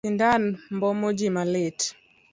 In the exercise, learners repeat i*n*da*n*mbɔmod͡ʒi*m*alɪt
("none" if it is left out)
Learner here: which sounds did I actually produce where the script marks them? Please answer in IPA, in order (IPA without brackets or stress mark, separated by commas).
n, n, m